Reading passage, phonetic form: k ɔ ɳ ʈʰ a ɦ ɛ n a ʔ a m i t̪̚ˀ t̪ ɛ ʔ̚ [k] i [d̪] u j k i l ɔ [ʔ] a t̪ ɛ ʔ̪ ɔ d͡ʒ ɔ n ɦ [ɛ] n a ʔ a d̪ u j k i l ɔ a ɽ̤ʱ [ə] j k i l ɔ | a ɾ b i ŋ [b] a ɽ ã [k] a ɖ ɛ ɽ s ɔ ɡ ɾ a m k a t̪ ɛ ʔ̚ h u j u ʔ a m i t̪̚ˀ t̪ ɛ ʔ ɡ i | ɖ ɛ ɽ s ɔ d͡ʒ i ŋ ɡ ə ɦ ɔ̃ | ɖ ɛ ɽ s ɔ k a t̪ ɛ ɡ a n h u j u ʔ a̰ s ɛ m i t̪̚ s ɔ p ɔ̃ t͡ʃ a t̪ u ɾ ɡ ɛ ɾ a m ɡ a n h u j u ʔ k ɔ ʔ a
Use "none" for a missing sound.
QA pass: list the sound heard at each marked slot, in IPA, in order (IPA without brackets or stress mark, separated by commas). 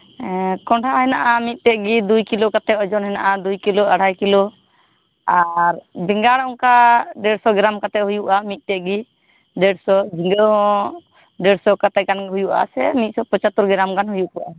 ɡ, d̪, k, ɛ, a, ɡ, k